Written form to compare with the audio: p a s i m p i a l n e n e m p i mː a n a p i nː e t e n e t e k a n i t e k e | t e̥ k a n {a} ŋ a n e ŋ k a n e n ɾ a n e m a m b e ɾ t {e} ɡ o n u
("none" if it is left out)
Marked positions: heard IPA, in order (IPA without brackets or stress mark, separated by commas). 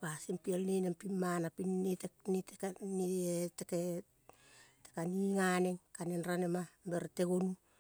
i, e